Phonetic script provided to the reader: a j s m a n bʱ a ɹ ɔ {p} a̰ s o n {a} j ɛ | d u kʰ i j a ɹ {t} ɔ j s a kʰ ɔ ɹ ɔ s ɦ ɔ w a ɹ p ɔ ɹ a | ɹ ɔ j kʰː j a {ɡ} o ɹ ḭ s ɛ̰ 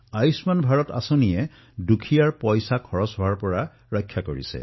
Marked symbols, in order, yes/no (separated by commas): no, no, no, no